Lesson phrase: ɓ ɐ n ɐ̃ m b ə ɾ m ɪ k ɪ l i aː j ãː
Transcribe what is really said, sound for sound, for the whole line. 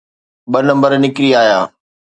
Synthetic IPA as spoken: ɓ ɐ n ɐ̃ m b ə ɾ n ɪ k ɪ ɾ i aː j aː

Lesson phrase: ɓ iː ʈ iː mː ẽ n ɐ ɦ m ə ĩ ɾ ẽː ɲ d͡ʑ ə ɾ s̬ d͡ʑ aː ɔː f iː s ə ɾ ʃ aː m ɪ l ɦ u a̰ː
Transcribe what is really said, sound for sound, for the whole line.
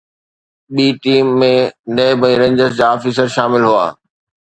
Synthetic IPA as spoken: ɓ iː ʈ iː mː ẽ n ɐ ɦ b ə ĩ ɾ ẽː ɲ d͡ʑ ə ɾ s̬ d͡ʑ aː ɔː f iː s ə ɾ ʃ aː m ɪ l ɦ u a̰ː

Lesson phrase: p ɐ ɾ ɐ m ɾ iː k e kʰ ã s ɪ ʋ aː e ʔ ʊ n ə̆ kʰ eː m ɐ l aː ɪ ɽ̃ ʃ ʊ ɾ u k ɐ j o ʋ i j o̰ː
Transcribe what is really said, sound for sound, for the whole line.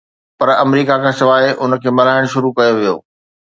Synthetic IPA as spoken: p ɐ ɾ ɐ m ɾ iː k a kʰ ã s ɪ ʋ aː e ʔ ʊ n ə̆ kʰ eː m ɐ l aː ɪ ɽ̃ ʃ ʊ ɾ u k ɐ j o ʋ i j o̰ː

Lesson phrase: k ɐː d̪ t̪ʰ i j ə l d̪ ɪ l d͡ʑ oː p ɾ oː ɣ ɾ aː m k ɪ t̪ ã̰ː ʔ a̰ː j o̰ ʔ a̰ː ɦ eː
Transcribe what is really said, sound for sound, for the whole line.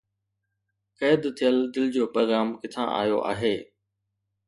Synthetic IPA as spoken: k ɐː d̪ t̪ʰ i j ə l d̪ ɪ l d͡ʑ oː p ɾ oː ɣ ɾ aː m k ɪ t̪ʰ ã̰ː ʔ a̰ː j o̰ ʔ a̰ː ɦ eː

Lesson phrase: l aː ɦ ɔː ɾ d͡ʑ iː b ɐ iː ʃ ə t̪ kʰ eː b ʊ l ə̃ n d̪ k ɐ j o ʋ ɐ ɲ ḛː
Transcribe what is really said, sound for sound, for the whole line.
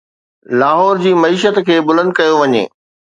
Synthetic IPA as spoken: l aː ɦ ɔː ɾ d͡ʑ iː m ɐ iː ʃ ə t̪ kʰ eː b ʊ l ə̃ n d̪ k ɐ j o ʋ ɐ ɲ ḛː

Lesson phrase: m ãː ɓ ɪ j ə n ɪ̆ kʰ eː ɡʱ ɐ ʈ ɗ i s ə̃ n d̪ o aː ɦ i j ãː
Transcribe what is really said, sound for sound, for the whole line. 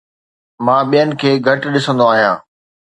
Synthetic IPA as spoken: m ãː ɓ i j ə n ɪ̆ kʰ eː ɡʱ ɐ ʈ ɗ ɪ s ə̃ n d̪ o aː ɦ i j ãː

